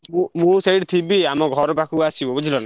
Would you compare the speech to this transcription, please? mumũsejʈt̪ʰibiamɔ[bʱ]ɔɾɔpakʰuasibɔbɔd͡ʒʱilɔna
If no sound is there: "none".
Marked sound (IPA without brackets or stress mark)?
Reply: ɡʱ